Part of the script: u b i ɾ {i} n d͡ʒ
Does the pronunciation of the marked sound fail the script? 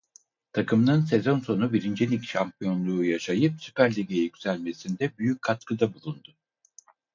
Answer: no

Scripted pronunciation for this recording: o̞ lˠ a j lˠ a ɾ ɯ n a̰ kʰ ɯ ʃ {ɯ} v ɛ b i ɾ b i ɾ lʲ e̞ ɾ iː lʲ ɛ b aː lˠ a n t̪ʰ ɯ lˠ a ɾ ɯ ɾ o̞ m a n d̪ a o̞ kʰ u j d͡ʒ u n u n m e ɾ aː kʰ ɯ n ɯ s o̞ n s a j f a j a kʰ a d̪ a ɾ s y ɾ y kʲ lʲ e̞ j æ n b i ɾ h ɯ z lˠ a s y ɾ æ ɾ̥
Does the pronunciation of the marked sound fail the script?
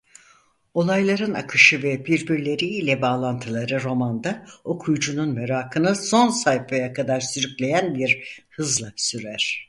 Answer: no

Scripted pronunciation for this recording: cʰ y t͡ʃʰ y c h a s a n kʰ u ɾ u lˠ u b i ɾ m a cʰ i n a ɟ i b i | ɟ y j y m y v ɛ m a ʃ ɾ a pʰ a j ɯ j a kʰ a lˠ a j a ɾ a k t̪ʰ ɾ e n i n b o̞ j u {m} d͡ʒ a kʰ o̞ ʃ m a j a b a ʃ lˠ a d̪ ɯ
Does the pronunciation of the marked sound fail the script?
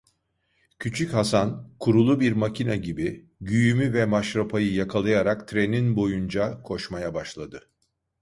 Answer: yes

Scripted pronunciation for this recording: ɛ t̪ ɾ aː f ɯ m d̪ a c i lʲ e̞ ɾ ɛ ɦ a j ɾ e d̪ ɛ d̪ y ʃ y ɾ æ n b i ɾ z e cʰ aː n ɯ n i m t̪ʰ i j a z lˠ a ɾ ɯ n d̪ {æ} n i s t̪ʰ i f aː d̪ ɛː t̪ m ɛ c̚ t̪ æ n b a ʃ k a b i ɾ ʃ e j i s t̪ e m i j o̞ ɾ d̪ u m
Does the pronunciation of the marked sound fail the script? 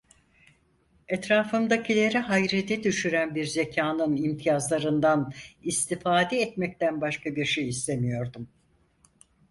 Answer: yes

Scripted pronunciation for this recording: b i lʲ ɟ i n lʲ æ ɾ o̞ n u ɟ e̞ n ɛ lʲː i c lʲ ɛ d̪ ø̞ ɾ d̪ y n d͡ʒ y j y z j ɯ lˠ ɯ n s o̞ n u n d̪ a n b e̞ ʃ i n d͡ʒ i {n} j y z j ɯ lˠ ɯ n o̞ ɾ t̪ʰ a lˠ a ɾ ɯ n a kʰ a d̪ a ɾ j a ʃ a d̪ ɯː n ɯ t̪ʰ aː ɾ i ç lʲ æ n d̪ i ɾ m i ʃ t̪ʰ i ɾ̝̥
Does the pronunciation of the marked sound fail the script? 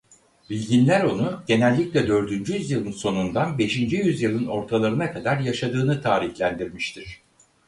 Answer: yes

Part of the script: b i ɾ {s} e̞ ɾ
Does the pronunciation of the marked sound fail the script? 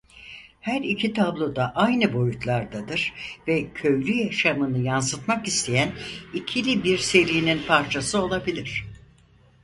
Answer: no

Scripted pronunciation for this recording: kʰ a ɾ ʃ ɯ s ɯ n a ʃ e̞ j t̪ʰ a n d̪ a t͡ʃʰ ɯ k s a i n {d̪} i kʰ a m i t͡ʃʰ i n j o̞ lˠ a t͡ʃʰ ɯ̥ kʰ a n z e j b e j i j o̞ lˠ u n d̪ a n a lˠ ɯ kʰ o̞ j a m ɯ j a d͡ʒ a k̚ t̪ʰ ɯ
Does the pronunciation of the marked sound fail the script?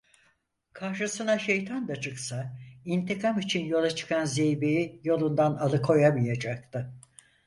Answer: yes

